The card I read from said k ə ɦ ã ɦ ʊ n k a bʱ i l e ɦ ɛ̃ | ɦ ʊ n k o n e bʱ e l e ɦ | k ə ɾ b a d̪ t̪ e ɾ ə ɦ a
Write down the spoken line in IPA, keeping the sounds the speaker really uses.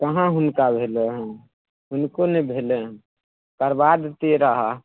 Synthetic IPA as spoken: k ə ɦ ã ɦ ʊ n k a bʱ e l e ɦ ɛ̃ | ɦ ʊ n k o n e bʱ e l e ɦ | k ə ɾ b a d̪ t̪ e ɾ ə ɦ a